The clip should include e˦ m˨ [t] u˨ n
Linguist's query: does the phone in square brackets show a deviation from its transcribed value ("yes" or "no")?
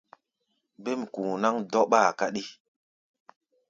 yes